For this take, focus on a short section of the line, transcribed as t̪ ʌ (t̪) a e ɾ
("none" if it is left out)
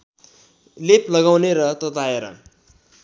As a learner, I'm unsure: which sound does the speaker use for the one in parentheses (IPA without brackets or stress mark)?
t̪